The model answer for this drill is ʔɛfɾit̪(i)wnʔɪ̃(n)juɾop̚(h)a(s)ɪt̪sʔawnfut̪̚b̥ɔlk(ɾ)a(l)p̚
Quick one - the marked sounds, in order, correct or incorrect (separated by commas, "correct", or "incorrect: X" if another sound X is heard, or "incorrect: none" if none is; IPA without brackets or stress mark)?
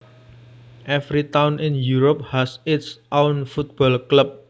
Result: incorrect: a, correct, correct, correct, incorrect: l, incorrect: none